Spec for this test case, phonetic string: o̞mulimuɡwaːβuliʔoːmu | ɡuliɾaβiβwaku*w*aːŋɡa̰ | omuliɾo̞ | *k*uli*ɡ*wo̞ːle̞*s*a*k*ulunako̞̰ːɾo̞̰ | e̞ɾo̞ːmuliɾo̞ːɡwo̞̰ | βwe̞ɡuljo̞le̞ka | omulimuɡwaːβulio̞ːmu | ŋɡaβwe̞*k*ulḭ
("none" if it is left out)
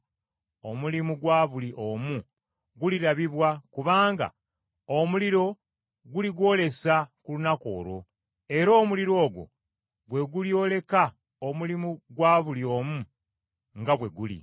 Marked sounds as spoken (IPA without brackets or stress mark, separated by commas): β, ɡ, ɡ, s, k, ɡ